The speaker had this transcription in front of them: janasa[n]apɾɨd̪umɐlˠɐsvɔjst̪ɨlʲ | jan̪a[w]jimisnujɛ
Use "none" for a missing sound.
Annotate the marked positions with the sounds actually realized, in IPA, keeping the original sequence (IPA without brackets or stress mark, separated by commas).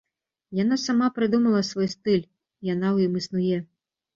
m, w